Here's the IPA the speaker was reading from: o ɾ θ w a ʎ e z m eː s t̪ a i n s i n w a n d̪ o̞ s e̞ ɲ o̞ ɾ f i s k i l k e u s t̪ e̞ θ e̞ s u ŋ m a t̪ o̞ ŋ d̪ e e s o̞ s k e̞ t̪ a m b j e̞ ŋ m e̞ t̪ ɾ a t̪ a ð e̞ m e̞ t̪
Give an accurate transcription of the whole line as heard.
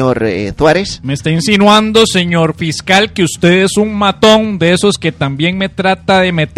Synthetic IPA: o ɾ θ w a ɾ e s m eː s t̪ a i n s i n w a n d̪ o̞ s e̞ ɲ o̞ ɾ f i s k a l k e u s t̪ e̞ ð e̞ s u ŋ m a t̪ o̞ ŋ d̪ e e s o̞ s k e̞ t̪ a m b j e̞ ŋ m e̞ t̪ ɾ a t̪ a ð e̞ m e̞ t̪